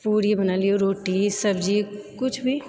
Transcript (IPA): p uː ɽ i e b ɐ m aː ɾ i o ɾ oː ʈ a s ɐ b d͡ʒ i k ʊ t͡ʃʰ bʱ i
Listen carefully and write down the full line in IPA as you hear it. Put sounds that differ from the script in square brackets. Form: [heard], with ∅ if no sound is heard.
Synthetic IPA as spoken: p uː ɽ i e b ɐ [n] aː [l] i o ɾ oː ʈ [i] s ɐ b d͡ʒ i k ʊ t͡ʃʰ bʱ i

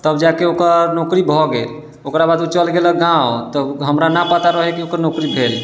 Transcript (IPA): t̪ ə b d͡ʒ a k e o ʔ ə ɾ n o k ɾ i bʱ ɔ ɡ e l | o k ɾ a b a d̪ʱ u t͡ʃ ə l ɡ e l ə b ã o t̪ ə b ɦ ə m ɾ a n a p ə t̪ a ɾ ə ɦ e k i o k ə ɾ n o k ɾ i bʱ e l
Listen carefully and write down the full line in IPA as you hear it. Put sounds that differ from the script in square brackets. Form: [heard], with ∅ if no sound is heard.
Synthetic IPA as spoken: t̪ ə b d͡ʒ a k e o [k] ə ɾ n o k ɾ i bʱ ɔ ɡ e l | o k ɾ a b a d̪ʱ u t͡ʃ ə l ɡ e l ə [ɡ] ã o t̪ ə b ɦ ə m ɾ a n a p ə t̪ a ɾ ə ɦ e k i o k ə ɾ n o k ɾ i bʱ e l

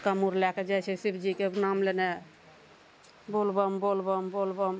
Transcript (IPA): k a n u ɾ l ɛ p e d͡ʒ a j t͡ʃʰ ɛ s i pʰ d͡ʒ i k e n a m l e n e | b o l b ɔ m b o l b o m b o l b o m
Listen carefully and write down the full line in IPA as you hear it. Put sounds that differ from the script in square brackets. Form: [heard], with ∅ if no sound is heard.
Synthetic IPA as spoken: k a [m] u ɾ l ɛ [k] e d͡ʒ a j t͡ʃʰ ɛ s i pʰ d͡ʒ i k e n a m l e n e | b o l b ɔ m b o l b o m b o l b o m

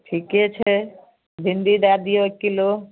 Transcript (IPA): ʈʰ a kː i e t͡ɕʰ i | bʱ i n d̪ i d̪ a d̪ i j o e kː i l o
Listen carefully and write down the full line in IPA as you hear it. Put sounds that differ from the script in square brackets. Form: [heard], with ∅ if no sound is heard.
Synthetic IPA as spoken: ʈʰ [i] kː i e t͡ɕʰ [e] | bʱ i n d̪ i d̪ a d̪ i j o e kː i l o

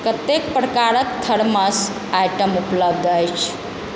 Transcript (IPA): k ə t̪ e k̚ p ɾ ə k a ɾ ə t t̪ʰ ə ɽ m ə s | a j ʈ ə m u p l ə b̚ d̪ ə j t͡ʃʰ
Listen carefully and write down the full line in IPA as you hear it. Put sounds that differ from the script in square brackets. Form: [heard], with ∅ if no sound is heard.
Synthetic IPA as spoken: k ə t̪ e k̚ p ɾ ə k a ɾ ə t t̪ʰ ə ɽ m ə s | a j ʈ ə m u p l ə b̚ d̪ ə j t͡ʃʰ

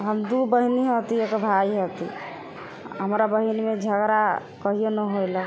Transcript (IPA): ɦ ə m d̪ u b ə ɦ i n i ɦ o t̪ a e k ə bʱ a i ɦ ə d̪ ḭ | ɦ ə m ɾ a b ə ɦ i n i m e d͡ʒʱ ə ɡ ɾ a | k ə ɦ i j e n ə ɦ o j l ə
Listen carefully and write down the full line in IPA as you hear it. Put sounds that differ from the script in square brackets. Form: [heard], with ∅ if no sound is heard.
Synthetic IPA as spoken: ɦ ə m d̪ u b ə ɦ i n i ɦ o t̪ [i] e k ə bʱ a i ɦ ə [t̪] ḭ | ɦ ə m ɾ a b ə ɦ i n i m e d͡ʒʱ ə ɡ ɾ a | k ə ɦ i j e n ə ɦ o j l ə

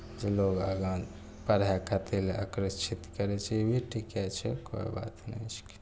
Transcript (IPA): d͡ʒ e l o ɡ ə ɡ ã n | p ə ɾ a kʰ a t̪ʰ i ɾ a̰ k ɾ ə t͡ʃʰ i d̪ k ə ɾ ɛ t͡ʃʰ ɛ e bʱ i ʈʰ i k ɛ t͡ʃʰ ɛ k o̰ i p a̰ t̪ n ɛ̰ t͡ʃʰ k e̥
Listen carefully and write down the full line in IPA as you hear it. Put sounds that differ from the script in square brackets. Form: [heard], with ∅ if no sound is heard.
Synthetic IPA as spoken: d͡ʒ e l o ɡ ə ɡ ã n | p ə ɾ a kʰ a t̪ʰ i [l] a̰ k ɾ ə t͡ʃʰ i [t̪] k ə ɾ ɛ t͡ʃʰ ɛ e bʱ i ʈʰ i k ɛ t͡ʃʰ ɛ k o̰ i [b] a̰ t̪ n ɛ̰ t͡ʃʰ k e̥

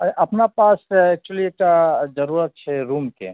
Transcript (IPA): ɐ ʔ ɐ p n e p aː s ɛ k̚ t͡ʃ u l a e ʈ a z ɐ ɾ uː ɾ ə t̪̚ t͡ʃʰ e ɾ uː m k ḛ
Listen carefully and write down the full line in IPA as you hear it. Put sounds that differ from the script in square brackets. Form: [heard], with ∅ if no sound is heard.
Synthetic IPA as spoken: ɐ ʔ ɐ p n [a] p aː s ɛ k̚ t͡ʃ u l [i] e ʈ a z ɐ ɾ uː ɾ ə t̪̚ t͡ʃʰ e ɾ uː m k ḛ

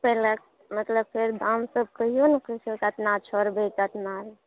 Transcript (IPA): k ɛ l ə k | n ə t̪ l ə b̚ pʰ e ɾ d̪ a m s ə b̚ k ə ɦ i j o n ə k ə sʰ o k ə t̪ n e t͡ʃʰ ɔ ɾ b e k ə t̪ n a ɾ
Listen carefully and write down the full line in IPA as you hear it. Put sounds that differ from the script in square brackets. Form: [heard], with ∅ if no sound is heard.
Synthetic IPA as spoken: [p] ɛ l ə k | [m] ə t̪ l ə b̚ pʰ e ɾ d̪ a m s ə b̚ k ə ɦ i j o n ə k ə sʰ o k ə t̪ n [a] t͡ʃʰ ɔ ɾ b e k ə t̪ n a ɾ

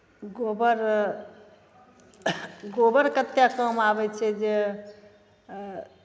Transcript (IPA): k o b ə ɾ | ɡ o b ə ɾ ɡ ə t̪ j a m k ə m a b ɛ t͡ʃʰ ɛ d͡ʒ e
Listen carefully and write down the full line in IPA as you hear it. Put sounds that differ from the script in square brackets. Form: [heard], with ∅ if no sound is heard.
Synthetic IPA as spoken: [ɡ] o b ə ɾ | ɡ o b ə ɾ [k] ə t̪ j a [∅] k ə m a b ɛ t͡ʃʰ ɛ d͡ʒ e

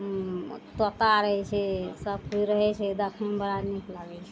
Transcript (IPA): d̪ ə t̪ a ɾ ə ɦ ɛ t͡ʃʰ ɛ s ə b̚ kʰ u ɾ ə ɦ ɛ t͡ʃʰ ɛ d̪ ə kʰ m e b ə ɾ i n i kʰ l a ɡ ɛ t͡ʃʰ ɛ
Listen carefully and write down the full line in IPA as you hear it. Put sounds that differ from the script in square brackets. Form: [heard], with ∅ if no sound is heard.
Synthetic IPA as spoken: [t̪] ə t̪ a ɾ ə ɦ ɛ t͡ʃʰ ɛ s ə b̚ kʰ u ɾ ə ɦ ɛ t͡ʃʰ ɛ d̪ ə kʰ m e b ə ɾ [a] n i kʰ l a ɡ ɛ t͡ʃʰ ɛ

